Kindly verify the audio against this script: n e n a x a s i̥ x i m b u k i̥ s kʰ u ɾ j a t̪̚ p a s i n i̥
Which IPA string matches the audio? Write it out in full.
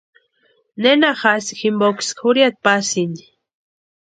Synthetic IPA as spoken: n e n a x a s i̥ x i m b o k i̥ s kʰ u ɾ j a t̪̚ p a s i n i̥